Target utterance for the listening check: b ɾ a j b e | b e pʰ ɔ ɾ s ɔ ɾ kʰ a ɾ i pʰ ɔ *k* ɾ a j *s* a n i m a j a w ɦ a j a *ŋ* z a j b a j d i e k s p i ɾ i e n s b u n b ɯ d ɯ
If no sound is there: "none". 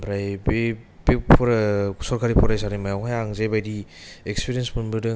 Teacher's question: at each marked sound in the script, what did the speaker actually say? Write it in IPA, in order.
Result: none, s, ŋ

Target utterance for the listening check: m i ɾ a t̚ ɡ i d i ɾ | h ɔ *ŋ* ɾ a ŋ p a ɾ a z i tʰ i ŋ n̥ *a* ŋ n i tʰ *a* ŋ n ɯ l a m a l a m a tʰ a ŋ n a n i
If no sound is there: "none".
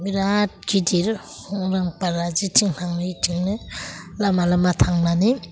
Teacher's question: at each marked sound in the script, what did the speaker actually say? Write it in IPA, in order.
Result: ŋ, a, i

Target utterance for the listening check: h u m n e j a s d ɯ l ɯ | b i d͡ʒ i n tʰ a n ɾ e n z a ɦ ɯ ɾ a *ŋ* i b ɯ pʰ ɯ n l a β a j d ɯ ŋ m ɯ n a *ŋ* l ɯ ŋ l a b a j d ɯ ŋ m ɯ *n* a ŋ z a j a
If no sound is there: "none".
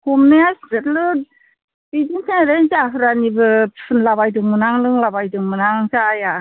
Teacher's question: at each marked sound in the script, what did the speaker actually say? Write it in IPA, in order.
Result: n, ŋ, n

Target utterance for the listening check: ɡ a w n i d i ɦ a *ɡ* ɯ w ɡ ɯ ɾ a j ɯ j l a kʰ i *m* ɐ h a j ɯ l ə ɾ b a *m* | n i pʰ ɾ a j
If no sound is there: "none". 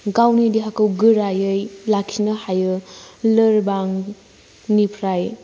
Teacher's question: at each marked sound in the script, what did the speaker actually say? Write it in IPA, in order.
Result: k, n, ŋ

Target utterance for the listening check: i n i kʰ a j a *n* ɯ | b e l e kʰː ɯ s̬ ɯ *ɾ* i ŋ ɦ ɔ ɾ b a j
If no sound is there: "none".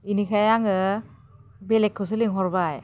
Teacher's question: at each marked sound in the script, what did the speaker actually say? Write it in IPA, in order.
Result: ŋ, l

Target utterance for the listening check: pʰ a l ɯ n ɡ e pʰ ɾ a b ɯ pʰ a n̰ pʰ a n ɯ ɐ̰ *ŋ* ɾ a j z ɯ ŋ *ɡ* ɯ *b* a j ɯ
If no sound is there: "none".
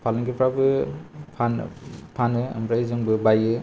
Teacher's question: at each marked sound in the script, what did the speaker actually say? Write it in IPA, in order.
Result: m, b, b

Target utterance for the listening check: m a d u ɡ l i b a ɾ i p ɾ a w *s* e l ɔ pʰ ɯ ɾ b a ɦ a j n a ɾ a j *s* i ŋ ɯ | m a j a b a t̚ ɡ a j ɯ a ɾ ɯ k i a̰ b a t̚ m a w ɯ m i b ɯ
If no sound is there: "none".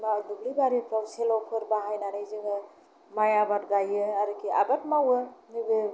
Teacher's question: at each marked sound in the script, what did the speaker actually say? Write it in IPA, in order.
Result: s, z

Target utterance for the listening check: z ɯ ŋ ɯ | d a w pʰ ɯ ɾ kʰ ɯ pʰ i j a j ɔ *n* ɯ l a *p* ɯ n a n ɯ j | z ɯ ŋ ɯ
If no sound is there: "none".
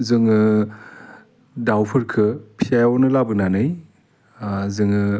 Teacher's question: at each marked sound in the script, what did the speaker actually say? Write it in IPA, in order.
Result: n, b

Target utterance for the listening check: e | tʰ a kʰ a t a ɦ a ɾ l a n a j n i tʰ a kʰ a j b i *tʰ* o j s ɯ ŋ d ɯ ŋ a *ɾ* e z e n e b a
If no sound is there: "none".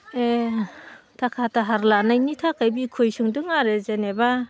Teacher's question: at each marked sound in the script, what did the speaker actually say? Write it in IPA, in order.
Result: kʰ, ɾ

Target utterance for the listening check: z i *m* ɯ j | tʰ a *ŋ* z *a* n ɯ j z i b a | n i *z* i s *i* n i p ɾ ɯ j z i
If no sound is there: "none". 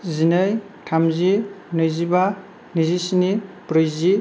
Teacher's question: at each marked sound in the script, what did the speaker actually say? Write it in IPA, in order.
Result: n, m, i, z, i

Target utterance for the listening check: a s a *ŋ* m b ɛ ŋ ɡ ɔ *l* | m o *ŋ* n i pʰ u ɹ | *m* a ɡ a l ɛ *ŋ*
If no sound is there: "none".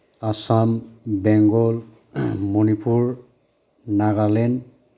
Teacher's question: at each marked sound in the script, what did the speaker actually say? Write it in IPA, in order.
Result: none, l, none, n, n

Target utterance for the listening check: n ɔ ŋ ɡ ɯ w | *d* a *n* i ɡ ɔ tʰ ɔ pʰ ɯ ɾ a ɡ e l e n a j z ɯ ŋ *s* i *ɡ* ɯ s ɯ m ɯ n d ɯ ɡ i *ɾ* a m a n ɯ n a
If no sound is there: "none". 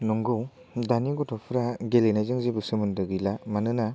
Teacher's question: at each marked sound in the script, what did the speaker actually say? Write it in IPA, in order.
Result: d, n, z, b, l

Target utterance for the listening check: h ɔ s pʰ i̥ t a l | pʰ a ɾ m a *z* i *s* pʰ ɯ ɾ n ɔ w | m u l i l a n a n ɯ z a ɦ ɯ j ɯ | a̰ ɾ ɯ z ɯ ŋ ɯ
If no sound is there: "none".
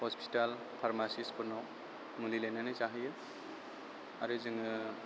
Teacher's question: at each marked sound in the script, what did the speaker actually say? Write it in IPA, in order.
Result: s, s

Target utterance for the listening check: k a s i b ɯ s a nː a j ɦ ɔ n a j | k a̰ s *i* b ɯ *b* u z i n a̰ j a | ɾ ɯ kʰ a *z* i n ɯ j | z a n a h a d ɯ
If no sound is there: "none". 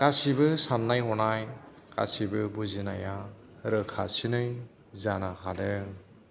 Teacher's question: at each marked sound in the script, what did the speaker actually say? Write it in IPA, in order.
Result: i, b, s

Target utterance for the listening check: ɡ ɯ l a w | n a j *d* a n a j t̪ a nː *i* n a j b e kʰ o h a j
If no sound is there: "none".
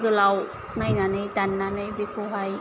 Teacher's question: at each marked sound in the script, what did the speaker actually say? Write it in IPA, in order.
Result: n, a

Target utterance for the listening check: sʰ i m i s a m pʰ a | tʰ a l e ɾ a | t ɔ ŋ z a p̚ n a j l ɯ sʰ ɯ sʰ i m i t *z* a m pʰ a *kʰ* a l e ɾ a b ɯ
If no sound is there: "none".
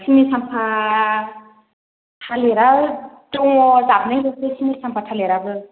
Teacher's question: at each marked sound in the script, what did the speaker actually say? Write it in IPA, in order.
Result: s, tʰ

